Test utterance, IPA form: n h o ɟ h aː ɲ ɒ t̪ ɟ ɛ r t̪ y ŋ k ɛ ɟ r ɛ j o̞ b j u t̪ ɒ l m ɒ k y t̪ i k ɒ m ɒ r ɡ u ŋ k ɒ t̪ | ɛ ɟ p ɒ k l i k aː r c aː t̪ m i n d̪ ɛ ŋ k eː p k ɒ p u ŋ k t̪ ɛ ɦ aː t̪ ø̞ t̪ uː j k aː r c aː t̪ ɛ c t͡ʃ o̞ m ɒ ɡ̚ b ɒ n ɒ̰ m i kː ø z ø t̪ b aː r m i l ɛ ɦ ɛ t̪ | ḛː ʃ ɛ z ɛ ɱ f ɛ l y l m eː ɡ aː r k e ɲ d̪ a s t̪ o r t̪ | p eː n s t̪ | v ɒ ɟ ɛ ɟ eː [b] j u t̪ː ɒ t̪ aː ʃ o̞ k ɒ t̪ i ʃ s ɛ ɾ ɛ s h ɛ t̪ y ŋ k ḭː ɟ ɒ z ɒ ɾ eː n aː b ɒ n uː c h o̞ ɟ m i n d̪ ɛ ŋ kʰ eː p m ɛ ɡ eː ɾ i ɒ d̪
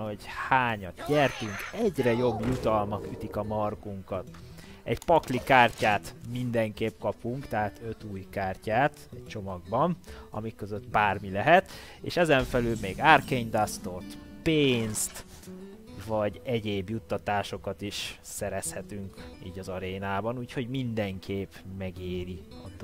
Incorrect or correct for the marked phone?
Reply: correct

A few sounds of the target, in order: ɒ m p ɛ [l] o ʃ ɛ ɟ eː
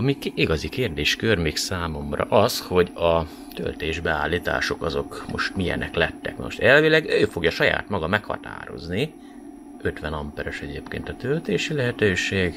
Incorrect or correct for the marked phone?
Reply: incorrect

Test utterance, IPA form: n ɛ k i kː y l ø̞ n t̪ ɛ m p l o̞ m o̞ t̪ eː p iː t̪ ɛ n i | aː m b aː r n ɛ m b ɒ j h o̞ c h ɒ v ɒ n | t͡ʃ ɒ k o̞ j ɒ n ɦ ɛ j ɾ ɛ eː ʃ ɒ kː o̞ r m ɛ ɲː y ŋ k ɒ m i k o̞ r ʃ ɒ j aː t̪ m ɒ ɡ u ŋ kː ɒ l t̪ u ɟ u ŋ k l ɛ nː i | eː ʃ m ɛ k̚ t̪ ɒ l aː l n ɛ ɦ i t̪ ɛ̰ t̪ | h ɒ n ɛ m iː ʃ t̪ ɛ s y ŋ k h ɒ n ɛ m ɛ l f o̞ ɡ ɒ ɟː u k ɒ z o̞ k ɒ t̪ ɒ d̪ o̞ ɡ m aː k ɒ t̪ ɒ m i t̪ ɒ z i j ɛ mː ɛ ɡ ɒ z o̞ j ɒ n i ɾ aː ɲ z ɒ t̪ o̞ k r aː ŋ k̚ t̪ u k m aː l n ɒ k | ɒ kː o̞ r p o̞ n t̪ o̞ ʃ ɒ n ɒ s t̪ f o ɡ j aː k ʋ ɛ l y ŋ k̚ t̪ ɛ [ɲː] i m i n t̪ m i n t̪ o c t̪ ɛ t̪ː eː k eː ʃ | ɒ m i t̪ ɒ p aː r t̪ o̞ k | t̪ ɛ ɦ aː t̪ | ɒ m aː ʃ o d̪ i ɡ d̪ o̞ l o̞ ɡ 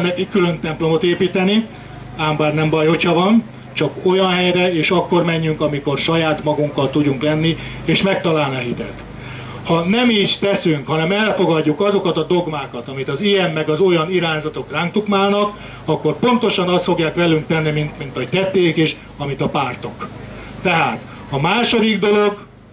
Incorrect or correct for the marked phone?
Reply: incorrect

